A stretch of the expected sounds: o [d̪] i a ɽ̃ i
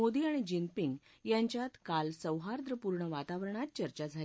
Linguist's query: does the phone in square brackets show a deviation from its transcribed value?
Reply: no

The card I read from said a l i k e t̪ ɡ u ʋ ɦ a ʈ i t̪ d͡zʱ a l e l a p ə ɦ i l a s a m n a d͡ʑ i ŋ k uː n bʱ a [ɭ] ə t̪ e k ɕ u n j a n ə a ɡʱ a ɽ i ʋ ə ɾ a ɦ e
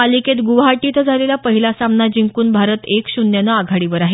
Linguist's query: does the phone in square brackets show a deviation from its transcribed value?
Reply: yes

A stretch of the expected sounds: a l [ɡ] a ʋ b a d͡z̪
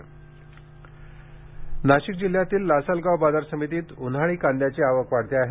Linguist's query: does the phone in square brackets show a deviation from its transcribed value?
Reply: no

